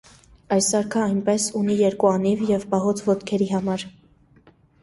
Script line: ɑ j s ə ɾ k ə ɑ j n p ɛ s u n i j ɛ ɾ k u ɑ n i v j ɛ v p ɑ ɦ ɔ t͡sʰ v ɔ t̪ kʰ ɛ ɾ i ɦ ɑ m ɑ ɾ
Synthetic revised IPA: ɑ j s ɑ ɾ kʰ ə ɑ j n p ɛ s u n i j ɛ ɾ k u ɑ n i v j ɛ v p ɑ ɦ ɔ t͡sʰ v ɔ t̪ kʰ ɛ ɾ i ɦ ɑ m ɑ ɾ